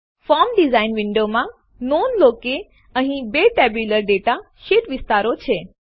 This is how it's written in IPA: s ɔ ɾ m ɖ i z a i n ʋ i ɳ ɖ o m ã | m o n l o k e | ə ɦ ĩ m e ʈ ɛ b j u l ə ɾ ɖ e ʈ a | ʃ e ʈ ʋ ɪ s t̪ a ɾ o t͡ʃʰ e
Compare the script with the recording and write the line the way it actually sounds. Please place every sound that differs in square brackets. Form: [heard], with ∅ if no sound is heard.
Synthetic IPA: [f] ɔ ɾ m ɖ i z a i n ʋ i ɳ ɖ o m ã | [n] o n l o k e | ə ɦ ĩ [b] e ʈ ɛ b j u l ə ɾ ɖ e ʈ a | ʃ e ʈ ʋ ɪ s t̪ a ɾ o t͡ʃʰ e